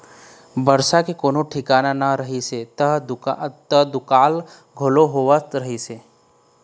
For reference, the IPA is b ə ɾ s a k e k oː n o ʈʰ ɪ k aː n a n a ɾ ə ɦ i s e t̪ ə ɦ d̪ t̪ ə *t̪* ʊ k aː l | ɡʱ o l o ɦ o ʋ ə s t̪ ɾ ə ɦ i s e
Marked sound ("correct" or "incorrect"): incorrect